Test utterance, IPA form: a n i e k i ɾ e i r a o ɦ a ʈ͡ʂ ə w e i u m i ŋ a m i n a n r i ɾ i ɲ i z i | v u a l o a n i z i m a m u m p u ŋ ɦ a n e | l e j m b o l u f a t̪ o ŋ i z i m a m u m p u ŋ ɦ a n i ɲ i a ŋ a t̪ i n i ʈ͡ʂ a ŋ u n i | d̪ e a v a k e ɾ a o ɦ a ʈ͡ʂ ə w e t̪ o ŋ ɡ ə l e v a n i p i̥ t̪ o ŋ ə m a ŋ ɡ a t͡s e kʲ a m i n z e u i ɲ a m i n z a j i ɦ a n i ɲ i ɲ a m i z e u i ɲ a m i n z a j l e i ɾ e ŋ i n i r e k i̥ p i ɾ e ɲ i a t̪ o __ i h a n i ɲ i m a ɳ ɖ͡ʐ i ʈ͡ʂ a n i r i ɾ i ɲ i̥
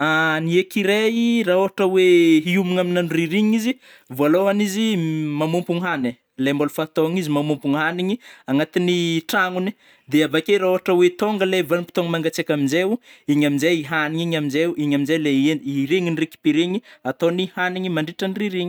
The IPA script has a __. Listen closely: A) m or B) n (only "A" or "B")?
B